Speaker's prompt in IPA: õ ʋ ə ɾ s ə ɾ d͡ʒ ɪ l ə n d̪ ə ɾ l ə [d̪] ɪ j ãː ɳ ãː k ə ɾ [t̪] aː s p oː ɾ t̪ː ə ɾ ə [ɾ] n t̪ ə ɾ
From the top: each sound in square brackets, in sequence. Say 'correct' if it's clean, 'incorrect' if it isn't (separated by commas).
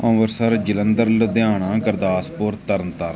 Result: correct, incorrect, incorrect